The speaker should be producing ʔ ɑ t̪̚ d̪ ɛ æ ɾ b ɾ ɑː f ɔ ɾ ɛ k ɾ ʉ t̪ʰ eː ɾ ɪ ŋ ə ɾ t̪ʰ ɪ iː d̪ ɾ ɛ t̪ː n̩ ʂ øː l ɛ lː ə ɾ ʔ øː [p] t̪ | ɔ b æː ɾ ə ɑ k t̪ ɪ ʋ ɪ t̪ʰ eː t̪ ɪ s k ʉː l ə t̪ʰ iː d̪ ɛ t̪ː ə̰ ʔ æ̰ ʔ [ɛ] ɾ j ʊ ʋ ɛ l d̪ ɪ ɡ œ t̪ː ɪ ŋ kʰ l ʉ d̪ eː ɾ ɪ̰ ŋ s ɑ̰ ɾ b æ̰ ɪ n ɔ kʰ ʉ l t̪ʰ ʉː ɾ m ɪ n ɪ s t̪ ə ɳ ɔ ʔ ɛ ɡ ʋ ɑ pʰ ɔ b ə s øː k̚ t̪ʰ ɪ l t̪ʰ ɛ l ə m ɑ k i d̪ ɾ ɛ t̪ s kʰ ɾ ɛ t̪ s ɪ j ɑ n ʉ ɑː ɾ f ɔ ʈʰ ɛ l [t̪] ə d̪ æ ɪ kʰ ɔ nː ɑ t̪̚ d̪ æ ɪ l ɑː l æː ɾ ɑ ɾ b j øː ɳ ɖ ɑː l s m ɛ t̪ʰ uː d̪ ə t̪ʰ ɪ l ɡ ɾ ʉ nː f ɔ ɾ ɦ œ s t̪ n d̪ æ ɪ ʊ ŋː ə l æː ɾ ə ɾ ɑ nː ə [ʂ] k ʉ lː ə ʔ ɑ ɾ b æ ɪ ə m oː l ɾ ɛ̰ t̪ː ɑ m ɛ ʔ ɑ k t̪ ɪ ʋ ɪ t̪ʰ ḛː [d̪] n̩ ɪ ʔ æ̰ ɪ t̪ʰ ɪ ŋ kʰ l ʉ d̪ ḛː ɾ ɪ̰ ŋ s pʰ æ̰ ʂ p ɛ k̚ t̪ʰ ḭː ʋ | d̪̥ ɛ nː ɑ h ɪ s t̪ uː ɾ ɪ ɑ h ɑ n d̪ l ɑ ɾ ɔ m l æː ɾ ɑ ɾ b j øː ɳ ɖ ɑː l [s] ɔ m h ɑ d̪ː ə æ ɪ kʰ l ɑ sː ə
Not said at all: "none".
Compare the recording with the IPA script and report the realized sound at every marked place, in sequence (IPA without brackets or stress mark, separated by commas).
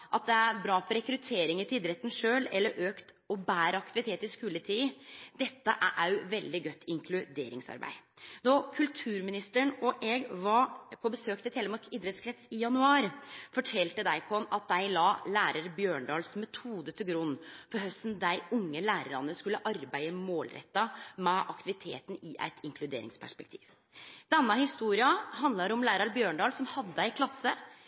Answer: k, æ, t̪, s, t̪, s